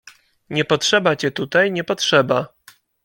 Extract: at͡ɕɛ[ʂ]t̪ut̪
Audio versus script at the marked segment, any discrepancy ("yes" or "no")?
yes